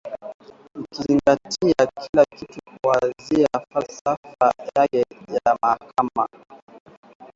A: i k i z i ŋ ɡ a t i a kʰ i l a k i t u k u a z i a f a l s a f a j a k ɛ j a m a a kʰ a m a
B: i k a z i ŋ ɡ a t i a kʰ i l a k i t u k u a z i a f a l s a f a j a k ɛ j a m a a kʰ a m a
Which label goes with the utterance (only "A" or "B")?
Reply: A